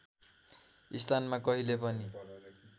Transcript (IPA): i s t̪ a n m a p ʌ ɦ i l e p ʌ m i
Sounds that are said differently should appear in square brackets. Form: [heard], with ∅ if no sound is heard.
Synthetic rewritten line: i s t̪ a n m a [k] ʌ ɦ i l e p ʌ [n] i

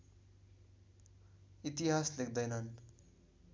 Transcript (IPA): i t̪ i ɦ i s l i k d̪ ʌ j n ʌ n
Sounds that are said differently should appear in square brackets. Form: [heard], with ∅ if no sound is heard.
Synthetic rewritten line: i t̪ i ɦ [a] s l [e] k d̪ ʌ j n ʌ n

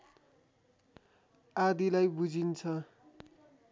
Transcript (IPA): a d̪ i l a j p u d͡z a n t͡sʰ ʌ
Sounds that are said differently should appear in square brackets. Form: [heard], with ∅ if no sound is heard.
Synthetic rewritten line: a d̪ i l a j [b] u d͡z [i] n t͡sʰ ʌ

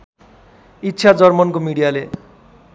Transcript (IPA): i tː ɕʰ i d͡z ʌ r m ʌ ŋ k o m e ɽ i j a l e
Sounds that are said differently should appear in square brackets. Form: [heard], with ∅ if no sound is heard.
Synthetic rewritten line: i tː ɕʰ [a] d͡z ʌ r m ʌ [n] k o m [i] ɽ i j a l e

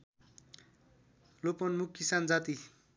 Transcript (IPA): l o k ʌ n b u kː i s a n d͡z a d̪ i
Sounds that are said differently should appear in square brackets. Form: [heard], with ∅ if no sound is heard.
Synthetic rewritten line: l o [p] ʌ n [m] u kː i s a n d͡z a [t̪] i

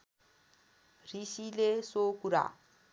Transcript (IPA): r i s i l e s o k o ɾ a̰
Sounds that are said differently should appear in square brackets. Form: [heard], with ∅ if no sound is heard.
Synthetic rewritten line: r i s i l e s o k [u] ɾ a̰

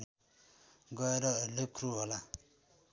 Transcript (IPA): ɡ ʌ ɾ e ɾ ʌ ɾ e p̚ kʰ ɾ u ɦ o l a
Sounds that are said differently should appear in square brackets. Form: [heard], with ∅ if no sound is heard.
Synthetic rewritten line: ɡ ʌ [∅] e ɾ ʌ [l] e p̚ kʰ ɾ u ɦ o l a

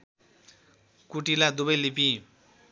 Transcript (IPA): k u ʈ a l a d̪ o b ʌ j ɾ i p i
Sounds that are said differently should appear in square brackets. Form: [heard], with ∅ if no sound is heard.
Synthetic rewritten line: k u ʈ [i] l a d̪ [u] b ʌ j [l] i p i

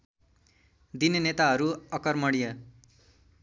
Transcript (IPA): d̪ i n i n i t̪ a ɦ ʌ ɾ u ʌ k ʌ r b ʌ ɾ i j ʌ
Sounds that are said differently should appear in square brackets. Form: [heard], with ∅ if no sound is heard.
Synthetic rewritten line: d̪ i n [e] n [e] t̪ a ɦ ʌ ɾ u ʌ k ʌ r [m] ʌ [ɽ] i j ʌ

